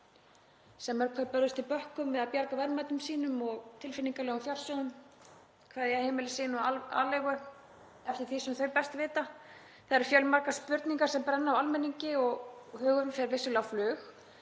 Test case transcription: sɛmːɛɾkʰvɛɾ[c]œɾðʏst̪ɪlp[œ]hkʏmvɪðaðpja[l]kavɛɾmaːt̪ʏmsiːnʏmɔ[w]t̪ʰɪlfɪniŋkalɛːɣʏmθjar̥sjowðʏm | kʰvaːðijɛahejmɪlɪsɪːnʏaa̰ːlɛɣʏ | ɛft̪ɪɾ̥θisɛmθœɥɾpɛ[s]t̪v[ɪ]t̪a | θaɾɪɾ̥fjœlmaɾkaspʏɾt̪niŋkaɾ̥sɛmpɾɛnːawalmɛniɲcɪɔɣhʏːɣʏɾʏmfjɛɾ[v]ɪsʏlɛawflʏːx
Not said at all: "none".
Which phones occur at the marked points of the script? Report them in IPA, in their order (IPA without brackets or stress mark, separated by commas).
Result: p, œ, ɾ, ɣ, s, ɪː, v